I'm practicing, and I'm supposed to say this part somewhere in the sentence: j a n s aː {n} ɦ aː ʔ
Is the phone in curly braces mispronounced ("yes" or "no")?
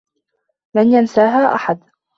yes